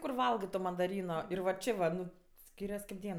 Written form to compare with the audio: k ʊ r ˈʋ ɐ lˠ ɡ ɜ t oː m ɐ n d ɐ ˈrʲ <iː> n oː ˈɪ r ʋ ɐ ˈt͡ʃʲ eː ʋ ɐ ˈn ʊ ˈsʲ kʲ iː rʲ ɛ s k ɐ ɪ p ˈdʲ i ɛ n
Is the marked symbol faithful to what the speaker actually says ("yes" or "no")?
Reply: yes